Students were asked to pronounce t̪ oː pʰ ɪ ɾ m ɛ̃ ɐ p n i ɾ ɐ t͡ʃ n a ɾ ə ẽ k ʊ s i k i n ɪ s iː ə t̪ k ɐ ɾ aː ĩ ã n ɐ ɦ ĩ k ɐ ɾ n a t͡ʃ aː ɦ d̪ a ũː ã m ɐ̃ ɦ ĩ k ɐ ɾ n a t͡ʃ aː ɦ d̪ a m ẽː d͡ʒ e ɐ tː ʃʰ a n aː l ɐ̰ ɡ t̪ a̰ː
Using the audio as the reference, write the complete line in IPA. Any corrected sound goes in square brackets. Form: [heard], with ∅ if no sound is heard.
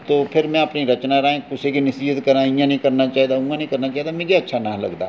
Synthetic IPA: t̪ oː pʰ ɪ ɾ m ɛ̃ ɐ p n i ɾ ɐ t͡ʃ n a ɾ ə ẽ k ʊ s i k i n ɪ s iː ə t̪ k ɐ ɾ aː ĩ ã n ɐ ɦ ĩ k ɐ ɾ n a t͡ʃ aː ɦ d̪ a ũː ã [n] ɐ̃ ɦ ĩ k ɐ ɾ n a t͡ʃ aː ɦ d̪ a m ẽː d͡ʒ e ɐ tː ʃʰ a n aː l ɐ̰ ɡ [d̪] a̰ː

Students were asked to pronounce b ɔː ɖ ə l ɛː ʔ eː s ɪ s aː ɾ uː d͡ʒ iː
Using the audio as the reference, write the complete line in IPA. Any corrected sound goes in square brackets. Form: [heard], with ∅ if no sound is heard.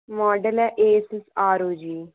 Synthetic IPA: [m] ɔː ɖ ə l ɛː ʔ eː s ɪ s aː ɾ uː d͡ʒ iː

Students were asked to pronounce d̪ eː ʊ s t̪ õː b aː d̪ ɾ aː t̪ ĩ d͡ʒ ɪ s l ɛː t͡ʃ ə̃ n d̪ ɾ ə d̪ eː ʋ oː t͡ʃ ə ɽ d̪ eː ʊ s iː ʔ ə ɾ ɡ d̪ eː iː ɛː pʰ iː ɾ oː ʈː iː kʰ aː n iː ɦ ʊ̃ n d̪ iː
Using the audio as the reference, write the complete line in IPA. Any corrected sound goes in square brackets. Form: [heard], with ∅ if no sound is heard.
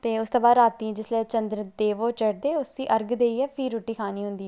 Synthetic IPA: [t̪] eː ʊ s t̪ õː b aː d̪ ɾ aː t̪ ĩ d͡ʒ ɪ s l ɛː t͡ʃ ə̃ n d̪ ɾ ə d̪ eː ʋ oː t͡ʃ ə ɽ d̪ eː ʊ s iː ʔ ə ɾ ɡ d̪ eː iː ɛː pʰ iː ɾ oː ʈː iː kʰ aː n iː ɦ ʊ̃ n d̪ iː

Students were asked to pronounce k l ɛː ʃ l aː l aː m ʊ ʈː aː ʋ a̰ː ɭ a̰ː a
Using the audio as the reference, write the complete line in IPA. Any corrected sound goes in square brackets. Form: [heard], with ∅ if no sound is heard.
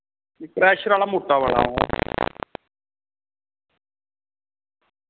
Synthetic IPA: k [ɾ] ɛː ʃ [ɾ] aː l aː m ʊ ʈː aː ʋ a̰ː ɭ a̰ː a

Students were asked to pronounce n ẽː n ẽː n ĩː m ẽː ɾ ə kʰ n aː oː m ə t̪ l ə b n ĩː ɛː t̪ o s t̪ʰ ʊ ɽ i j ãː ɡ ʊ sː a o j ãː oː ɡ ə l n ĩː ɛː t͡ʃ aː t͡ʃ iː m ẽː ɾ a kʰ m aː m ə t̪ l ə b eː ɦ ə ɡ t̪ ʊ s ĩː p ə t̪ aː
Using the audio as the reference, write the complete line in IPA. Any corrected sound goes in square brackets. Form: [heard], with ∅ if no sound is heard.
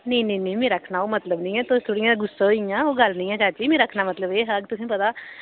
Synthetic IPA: n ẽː n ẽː n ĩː m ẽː ɾ ə kʰ n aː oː m ə t̪ l ə b n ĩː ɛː t̪ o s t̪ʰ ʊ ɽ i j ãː ɡ ʊ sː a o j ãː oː ɡ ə l n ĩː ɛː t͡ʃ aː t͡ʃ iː m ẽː ɾ [ə] kʰ [n] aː m ə t̪ l ə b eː ɦ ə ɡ t̪ ʊ s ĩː p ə t̪ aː

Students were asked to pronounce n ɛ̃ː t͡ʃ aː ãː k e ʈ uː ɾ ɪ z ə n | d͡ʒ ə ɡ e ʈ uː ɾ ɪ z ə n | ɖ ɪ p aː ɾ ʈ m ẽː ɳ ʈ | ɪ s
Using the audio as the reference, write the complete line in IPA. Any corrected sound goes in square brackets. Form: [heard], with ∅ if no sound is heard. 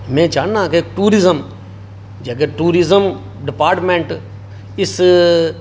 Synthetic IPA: [m] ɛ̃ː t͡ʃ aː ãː k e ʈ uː ɾ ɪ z ə [m] | d͡ʒ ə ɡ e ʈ uː ɾ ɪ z ə [m] | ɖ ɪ p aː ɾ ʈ m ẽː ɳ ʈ | ɪ s

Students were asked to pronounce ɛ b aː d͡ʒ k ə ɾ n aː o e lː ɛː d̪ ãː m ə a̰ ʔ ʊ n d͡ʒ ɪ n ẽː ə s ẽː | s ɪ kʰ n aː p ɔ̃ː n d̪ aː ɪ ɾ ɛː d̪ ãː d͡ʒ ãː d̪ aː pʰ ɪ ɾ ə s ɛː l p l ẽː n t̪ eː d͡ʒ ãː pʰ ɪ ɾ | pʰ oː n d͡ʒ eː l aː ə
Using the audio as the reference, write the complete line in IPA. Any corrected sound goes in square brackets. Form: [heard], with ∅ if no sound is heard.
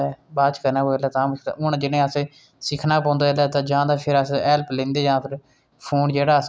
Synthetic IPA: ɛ b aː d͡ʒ k ə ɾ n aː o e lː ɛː [t̪] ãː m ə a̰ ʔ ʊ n d͡ʒ ɪ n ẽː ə s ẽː | s ɪ kʰ n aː p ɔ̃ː n d̪ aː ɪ [l] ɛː [t̪] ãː d͡ʒ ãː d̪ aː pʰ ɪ ɾ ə s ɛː l p l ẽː n [d̪] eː d͡ʒ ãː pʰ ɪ ɾ | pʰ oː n d͡ʒ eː [ɽ] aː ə

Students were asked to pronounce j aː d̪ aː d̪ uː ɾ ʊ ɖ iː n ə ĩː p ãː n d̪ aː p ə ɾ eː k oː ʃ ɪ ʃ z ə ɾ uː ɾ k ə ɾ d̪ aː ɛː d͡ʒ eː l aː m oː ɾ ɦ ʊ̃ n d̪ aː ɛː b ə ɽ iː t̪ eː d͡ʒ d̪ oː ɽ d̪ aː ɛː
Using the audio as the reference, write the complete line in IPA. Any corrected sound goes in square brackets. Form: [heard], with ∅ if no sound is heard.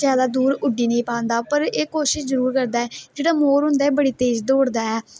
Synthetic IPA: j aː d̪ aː d̪ uː ɾ ʊ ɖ iː n ə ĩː p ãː n d̪ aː p ə ɾ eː k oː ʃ ɪ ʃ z ə ɾ uː ɾ k ə ɾ d̪ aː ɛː d͡ʒ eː [ɽ] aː m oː ɾ ɦ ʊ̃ n d̪ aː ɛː b ə ɽ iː t̪ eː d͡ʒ d̪ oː ɽ d̪ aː ɛː

